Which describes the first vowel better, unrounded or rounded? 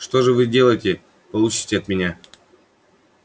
rounded